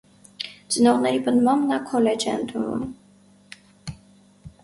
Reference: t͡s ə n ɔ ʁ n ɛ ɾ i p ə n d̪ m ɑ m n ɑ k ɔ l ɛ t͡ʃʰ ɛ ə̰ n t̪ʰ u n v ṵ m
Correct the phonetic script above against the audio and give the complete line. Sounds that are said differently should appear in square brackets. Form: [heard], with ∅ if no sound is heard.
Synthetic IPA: t͡s ə n ɔ ʁ n ɛ ɾ i p ə n d̪ m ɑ m n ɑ [kʰ] ɔ l ɛ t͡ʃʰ ɛ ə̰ n t̪ʰ u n v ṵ m